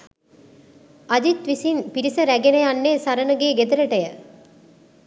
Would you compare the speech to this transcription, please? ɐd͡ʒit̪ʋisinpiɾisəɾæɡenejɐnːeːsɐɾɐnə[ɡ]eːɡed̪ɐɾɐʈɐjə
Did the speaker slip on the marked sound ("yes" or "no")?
no